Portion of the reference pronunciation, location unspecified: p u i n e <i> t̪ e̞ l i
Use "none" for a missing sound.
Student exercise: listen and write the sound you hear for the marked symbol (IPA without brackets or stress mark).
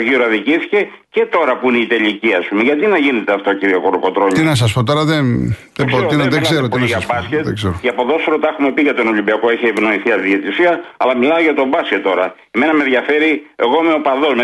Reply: i